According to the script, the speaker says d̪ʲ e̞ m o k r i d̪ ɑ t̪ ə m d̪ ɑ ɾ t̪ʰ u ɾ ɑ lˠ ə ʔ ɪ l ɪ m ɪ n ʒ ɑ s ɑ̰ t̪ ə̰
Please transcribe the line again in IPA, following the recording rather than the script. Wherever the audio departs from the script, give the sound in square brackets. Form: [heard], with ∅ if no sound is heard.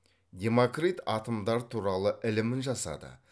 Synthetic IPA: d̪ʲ e̞ m o k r i [t̪] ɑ t̪ ə m d̪ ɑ ɾ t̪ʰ u ɾ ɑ lˠ ə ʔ ɪ l ɪ m ɪ n ʒ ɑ s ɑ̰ [d̪] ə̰